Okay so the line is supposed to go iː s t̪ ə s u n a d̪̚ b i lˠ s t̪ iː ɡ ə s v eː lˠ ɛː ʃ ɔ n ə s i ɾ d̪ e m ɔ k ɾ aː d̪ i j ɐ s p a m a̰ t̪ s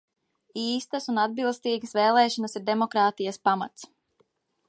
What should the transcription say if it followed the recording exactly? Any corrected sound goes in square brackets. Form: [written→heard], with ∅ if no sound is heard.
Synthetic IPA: iː s t̪ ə s u n a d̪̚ b i lˠ s t̪ iː ɡ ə s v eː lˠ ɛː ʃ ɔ n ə s i ɾ d̪ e m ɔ k ɾ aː [d̪→t̪] i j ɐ s p a m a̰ t̪ s

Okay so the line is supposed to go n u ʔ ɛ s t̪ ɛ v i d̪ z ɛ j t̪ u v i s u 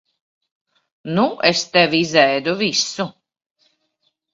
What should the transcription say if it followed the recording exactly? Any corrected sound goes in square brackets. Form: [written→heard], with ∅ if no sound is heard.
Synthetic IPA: n u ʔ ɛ s t̪ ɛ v i [d̪→∅] z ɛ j [t̪→d̪] u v i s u

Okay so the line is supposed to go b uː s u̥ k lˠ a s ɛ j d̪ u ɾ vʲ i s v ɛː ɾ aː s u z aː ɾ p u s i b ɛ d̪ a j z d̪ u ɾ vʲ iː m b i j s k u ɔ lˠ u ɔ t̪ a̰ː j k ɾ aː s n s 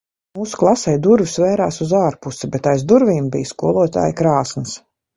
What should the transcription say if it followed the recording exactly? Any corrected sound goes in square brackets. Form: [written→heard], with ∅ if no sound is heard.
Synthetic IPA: [b→m] uː s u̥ k lˠ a s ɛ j d̪ u ɾ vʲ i s v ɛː ɾ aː s u z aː ɾ p u s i b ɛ [d̪→t̪] a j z d̪ u ɾ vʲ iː m b i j s k u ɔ lˠ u ɔ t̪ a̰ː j k ɾ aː s n s

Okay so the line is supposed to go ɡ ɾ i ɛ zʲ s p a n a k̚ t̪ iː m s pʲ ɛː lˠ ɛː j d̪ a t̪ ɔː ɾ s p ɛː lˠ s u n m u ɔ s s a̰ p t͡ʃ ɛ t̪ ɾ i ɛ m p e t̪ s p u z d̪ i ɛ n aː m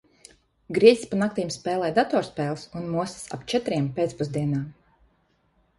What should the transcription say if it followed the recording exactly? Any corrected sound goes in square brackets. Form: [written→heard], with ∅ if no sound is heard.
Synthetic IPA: ɡ ɾ i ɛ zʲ s p a n a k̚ t̪ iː m s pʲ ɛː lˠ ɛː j d̪ a t̪ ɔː ɾ s p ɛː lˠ s u n m u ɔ s s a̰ p t͡ʃ ɛ t̪ ɾ i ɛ m p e t̪ s p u z d̪ i ɛ n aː m

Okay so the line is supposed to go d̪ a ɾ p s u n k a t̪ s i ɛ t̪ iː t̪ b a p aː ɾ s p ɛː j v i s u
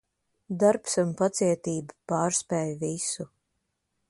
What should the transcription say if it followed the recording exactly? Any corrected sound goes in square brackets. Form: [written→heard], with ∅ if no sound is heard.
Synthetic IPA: d̪ a ɾ p s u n [k→p] a t̪ s i ɛ t̪ iː [t̪→∅] b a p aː ɾ s p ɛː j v i s u

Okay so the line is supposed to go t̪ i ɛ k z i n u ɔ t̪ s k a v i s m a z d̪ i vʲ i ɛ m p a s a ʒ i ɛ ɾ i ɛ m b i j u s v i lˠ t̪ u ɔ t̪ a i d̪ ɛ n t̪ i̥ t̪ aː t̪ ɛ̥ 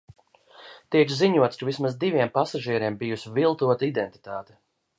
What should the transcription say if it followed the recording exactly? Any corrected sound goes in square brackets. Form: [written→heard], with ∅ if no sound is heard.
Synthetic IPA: t̪ i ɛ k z i [n→ɲ] u ɔ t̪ s k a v i s m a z d̪ i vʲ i ɛ m p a s a ʒ i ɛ ɾ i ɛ m b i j u s v i lˠ t̪ u ɔ t̪ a i d̪ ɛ n t̪ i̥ t̪ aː t̪ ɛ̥

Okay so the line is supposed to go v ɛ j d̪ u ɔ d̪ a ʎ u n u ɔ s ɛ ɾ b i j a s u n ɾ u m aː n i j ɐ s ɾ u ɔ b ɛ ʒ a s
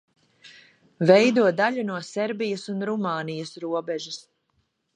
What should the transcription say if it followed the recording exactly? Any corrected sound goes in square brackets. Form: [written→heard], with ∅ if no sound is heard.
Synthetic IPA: v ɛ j d̪ u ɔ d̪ a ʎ u n u ɔ s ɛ ɾ b i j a s u n ɾ u m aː n i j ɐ s ɾ u ɔ b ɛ ʒ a s

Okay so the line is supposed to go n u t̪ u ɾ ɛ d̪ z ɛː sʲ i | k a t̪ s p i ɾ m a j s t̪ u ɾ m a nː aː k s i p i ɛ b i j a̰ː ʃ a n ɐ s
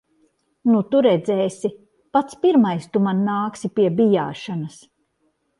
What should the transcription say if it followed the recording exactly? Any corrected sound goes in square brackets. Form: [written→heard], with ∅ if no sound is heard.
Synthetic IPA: n u t̪ u ɾ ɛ d̪ z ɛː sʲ i | [k→p] a t̪ s p i ɾ m a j s t̪ u [ɾ→∅] m a nː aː k s i p i ɛ b i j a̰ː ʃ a n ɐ s

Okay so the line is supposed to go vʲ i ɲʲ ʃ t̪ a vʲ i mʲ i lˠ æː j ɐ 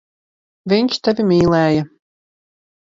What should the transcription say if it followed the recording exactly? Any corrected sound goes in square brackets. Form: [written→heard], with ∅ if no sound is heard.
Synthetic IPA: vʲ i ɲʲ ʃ t̪ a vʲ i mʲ [i→iː] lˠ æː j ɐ

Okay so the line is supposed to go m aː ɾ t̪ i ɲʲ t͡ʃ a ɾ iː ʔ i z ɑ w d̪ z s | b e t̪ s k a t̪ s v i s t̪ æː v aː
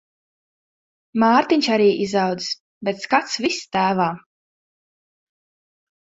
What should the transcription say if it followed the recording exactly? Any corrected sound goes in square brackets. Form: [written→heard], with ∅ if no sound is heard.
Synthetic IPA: m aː ɾ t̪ i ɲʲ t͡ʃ a ɾ iː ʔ i z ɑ w d̪ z s | b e t̪ s k a t̪ s v i s t̪ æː v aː

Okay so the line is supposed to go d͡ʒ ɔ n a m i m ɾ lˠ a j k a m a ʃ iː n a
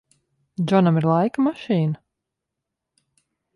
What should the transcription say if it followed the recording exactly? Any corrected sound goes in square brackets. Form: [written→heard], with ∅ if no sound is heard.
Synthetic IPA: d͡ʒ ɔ n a m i [m→∅] ɾ lˠ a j k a m a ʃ iː n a

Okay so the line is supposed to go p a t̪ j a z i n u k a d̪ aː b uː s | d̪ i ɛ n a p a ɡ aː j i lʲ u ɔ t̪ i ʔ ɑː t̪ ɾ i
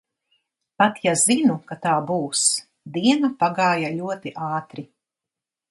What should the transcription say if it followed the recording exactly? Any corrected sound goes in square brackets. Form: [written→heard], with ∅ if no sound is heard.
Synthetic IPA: p a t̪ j a z i n u k a [d̪→t̪] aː b uː s | d̪ i ɛ n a p a ɡ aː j [i→a] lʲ u ɔ t̪ i ʔ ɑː t̪ ɾ i

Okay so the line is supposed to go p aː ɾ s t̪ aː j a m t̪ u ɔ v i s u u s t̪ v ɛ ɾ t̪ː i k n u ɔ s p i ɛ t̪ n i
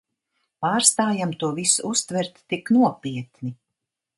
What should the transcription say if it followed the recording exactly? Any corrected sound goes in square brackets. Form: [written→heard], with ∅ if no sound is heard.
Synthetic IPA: p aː ɾ s t̪ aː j a m t̪ u ɔ v i s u u s t̪ v ɛ ɾ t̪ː i k n u ɔ [s→∅] p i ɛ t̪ n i

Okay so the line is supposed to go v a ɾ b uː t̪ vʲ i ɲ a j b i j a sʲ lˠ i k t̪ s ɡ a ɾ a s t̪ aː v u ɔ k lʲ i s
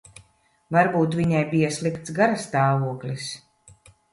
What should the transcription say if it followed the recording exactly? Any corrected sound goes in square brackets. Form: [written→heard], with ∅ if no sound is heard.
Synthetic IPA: v a ɾ b uː t̪ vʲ i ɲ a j b i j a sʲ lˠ i k t̪ s ɡ a ɾ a s t̪ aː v u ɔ k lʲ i s

